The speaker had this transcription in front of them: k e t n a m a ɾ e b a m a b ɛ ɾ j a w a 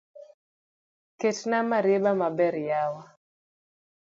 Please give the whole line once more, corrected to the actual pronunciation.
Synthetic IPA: k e t n a m a ɾ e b a m a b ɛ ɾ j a w a